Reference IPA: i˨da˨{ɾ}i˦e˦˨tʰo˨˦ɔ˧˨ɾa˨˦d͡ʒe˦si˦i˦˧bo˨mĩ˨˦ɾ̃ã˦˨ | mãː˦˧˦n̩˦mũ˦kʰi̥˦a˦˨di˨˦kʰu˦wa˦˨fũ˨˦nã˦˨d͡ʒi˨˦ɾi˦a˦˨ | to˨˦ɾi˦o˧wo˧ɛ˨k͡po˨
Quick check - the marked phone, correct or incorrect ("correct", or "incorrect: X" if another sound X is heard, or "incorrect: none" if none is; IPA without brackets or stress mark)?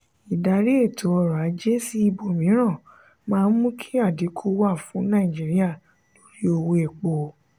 correct